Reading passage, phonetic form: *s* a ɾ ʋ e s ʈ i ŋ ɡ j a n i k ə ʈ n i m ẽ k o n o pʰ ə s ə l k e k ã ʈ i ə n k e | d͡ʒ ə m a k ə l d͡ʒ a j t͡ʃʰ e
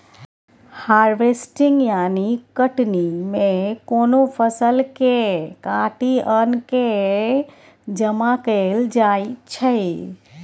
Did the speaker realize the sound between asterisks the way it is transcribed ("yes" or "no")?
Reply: no